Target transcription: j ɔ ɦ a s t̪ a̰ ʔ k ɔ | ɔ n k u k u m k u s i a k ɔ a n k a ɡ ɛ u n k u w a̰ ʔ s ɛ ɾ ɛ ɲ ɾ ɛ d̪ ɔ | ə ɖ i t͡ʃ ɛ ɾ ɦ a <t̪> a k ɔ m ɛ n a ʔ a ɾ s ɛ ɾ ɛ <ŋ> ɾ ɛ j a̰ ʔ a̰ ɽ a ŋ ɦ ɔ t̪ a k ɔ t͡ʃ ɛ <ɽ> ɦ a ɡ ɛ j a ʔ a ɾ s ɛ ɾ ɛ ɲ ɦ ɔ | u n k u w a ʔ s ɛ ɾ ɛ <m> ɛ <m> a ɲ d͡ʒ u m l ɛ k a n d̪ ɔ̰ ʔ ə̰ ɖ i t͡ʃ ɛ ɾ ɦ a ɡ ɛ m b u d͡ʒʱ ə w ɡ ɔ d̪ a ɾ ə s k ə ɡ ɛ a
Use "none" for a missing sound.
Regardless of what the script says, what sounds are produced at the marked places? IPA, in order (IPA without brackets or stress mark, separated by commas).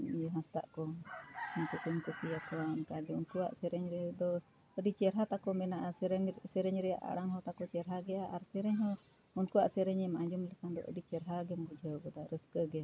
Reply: t̪, ɲ, ɾ, ɲ, m